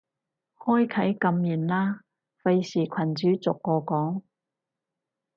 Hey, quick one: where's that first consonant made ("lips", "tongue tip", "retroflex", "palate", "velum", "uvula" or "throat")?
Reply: throat